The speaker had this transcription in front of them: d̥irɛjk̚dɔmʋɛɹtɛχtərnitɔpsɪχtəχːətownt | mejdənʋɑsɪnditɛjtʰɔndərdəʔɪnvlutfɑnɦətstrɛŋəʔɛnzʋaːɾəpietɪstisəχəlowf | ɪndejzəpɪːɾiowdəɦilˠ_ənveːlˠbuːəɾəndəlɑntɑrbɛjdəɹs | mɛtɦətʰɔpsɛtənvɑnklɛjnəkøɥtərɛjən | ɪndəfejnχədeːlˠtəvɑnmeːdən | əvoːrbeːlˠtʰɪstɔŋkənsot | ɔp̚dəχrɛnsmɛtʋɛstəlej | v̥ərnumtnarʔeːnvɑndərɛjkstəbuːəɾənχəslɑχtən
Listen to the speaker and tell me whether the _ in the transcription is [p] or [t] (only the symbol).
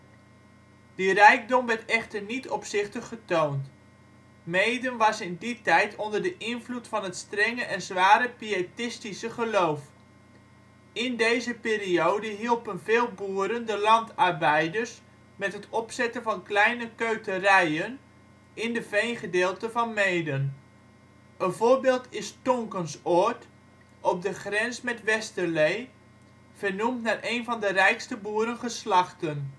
p